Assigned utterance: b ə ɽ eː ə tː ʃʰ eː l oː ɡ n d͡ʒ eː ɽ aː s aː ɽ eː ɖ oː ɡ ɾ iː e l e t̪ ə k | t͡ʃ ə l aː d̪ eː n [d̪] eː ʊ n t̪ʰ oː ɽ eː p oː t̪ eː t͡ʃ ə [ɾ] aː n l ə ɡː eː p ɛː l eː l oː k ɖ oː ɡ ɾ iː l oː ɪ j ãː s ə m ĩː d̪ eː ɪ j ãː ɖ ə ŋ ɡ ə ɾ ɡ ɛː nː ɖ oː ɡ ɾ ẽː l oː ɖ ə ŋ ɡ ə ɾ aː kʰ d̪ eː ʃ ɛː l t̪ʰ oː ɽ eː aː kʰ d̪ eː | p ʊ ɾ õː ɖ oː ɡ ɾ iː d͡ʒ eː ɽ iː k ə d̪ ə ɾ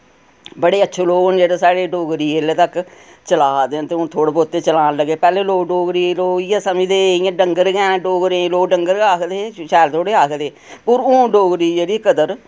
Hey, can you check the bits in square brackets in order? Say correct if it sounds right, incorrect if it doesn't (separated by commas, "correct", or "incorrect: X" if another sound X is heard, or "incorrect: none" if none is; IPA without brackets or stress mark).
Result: incorrect: t̪, incorrect: l